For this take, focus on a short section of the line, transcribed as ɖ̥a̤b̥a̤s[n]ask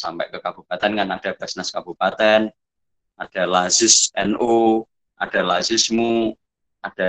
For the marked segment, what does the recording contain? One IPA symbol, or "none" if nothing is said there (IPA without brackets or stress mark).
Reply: n